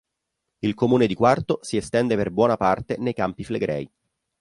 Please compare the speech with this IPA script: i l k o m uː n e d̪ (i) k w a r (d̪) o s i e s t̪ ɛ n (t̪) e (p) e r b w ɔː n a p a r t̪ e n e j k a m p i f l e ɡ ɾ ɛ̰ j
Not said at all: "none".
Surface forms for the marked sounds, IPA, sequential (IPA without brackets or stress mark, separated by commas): i, t̪, d̪, p